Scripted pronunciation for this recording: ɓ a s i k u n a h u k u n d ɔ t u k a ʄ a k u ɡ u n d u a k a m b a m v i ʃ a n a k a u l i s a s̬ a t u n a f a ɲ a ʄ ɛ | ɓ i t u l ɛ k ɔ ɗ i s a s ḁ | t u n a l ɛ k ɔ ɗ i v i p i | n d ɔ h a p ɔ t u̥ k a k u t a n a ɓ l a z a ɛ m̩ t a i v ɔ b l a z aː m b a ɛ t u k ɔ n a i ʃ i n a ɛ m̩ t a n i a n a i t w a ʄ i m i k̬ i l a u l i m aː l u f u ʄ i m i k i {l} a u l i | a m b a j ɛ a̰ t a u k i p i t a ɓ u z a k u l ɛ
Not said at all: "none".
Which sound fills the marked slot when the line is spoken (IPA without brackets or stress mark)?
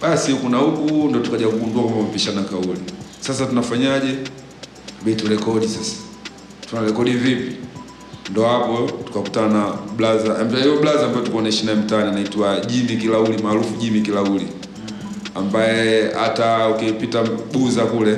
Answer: l